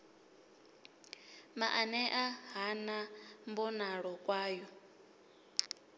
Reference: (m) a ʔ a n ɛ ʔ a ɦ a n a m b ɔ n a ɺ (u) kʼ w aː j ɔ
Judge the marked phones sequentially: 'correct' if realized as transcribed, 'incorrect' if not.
correct, incorrect: ɔ

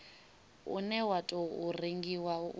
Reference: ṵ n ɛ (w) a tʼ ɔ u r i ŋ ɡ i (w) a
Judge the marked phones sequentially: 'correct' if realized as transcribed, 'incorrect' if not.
correct, correct

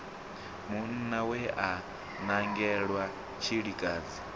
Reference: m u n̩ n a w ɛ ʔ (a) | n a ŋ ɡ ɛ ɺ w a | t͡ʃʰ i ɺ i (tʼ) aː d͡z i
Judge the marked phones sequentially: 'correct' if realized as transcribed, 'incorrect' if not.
correct, incorrect: kʼ

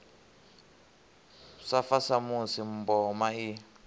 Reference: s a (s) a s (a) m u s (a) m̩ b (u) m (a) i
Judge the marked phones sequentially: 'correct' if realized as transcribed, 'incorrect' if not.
incorrect: f, correct, incorrect: i, incorrect: ɔ, correct

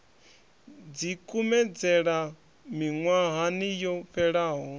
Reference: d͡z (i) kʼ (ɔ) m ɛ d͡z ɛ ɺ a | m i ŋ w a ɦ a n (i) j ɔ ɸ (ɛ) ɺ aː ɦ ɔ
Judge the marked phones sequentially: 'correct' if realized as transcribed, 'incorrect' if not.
correct, incorrect: u, correct, correct

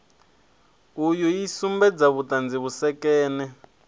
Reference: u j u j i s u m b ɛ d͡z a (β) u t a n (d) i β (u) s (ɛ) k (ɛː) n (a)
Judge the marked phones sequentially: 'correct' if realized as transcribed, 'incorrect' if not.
correct, incorrect: d͡z, correct, correct, correct, incorrect: ɛ

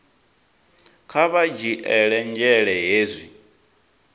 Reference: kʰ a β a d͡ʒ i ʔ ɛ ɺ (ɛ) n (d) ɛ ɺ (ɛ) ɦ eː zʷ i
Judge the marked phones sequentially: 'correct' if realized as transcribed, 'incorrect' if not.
correct, incorrect: d͡ʒ, correct

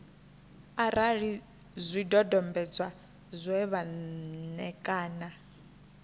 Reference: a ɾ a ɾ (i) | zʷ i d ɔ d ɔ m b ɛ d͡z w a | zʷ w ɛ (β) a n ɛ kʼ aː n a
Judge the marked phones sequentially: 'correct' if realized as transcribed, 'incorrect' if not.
correct, correct

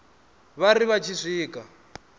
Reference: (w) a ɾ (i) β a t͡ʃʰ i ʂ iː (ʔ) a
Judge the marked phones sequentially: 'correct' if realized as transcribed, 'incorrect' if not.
incorrect: β, correct, incorrect: k

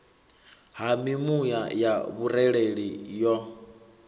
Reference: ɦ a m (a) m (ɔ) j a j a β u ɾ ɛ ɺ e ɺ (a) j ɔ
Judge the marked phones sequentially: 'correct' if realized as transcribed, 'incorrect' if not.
incorrect: i, incorrect: u, incorrect: i

